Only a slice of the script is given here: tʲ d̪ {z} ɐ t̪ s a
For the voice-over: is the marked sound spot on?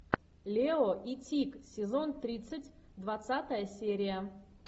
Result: no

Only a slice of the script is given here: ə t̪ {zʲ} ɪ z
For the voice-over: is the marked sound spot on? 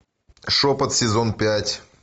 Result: no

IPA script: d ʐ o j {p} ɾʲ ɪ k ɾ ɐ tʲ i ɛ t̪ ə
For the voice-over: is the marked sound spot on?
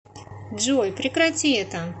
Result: yes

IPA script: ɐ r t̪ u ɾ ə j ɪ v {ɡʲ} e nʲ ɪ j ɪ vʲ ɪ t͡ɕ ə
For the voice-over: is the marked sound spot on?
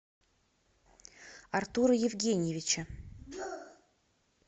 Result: yes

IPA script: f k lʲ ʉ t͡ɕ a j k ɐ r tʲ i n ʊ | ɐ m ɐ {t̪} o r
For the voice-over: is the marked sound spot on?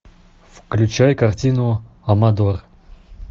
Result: no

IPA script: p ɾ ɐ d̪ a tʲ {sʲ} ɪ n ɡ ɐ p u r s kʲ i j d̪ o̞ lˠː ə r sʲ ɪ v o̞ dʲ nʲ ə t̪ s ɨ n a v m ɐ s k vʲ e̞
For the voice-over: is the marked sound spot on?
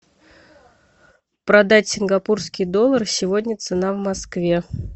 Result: yes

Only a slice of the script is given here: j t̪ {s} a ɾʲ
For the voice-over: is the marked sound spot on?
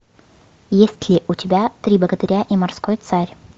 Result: yes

